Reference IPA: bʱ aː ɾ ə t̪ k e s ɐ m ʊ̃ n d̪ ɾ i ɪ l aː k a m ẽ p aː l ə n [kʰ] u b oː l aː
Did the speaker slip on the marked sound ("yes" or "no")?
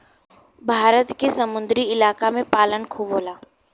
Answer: no